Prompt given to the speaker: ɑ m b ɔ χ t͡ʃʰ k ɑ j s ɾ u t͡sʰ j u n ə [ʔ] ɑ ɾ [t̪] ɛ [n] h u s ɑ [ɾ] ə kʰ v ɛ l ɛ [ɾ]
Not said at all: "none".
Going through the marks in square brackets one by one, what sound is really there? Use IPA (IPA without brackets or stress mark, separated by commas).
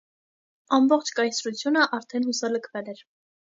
ʔ, t̪ʰ, n, l, ɾ